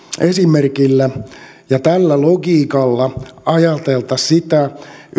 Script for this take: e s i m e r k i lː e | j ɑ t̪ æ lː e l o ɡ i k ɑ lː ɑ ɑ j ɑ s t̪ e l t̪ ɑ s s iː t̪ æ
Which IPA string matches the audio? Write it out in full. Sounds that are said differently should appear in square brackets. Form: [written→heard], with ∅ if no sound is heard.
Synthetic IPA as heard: e s i m e r k i lː [e→æ] | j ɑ t̪ æ lː [e→æ] l o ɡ [i→iː] k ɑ lː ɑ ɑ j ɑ [s→∅] t̪ e l t̪ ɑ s s [iː→i] t̪ æ